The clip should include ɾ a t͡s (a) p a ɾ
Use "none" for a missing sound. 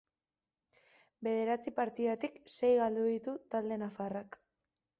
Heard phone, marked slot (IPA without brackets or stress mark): i